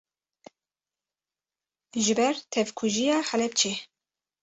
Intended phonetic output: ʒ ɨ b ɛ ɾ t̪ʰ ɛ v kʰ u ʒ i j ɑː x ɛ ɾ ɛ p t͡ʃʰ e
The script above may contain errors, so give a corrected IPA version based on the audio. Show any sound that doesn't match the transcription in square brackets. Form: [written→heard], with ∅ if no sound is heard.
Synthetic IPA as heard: ʒ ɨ b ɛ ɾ t̪ʰ ɛ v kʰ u ʒ i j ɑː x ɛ [ɾ→l] ɛ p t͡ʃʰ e